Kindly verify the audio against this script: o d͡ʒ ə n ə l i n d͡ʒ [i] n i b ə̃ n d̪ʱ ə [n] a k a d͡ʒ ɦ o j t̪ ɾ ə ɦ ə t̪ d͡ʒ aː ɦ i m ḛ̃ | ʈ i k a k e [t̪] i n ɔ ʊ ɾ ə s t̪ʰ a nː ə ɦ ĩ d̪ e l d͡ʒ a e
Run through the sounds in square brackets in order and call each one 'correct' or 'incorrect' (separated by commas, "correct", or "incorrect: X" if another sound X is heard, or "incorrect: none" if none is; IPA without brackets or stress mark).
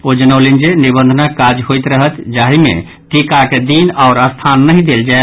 incorrect: e, correct, incorrect: d̪